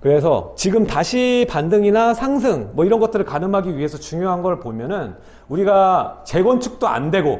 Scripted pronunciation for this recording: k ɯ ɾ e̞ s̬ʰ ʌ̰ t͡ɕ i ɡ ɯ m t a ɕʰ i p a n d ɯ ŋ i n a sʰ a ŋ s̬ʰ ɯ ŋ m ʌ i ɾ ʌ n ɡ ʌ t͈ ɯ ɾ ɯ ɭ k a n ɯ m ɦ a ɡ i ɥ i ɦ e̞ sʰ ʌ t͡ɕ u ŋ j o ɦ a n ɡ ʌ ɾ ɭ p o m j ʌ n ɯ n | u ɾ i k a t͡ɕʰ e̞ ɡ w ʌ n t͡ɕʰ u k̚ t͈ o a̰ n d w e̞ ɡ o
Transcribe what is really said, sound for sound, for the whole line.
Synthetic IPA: k ɯ ɾ e̞ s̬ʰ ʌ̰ t͡ɕ i ɡ ɯ m t a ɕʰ i p a n d ɯ ŋ i n a sʰ a ŋ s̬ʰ ɯ ŋ m ʌ i ɾ ʌ n ɡ ʌ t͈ ɯ ɾ ɯ ɭ k a n ɯ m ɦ a ɡ i ɥ i ɦ e̞ sʰ ʌ t͡ɕ u ŋ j o ɦ a n ɡ ʌ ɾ ɭ p o m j ʌ n ɯ n | u ɾ i ɡ a t͡ɕ e̞ ɡ w ʌ n t͡ɕʰ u k̚ t͈ o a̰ n d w e̞ ɡ o